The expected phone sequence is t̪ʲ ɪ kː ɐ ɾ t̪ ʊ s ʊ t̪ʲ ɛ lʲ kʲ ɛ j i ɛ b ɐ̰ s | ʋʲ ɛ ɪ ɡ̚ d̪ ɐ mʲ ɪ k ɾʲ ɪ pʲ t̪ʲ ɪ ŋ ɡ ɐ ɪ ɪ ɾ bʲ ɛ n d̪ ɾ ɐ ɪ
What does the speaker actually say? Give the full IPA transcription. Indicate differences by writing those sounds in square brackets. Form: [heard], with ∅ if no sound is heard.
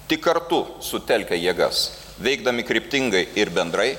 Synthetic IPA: t̪ʲ ɪ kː ɐ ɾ t̪ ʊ s ʊ t̪ʲ ɛ lʲ kʲ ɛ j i ɛ [ɡ] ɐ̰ s | ʋʲ ɛ ɪ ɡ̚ d̪ ɐ mʲ ɪ k ɾʲ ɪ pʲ t̪ʲ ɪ ŋ ɡ ɐ ɪ ɪ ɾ bʲ ɛ n d̪ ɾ ɐ ɪ